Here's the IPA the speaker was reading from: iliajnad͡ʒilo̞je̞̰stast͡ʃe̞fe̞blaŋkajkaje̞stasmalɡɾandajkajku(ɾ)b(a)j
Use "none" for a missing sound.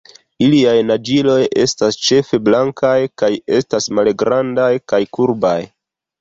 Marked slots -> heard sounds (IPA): ɾ, a

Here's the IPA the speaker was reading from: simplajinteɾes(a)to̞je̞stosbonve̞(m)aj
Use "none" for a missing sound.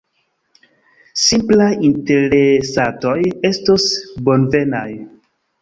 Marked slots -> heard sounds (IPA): a, n

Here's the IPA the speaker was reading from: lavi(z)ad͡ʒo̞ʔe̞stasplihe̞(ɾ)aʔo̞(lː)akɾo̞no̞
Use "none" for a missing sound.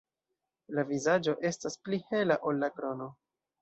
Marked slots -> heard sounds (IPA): z, l, lː

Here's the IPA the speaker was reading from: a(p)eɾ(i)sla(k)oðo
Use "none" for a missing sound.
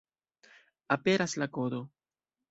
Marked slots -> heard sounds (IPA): p, a, k

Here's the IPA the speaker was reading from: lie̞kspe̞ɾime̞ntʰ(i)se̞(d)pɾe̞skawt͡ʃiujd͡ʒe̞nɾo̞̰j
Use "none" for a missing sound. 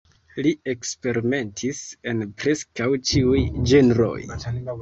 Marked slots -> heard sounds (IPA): i, n

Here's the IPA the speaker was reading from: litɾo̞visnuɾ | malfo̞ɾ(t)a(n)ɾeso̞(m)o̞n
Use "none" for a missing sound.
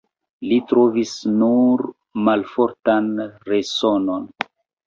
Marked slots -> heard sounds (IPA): t, n, n

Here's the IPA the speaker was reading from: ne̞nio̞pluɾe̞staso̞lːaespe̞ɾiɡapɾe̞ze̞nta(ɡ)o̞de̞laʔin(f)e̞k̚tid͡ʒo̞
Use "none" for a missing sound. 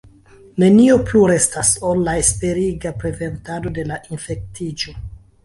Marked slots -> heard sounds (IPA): d, f

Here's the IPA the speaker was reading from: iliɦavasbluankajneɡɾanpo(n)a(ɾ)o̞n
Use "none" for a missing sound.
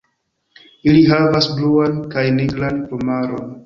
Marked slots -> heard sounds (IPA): m, ɾ

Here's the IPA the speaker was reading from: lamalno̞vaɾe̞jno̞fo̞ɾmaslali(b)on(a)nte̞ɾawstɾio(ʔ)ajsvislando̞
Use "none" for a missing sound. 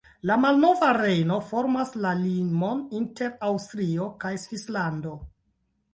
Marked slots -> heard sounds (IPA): m, i, k

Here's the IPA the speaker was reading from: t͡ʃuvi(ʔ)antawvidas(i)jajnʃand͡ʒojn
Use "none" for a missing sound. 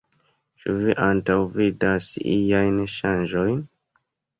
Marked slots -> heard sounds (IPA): ʔ, i

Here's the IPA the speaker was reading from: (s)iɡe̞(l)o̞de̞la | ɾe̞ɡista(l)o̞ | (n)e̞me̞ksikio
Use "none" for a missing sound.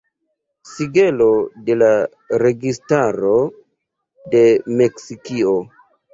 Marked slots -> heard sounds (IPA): s, l, ɾ, d

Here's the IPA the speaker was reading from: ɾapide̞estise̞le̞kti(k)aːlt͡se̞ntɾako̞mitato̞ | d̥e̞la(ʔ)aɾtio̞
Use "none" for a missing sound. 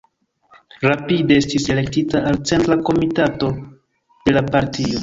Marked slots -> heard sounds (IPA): t, p

